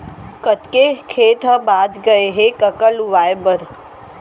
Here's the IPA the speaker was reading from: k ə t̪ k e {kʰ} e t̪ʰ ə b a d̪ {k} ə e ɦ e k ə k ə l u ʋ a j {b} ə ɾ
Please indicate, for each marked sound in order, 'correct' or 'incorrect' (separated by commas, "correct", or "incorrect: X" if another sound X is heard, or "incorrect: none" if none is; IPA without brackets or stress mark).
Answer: correct, incorrect: ɡ, correct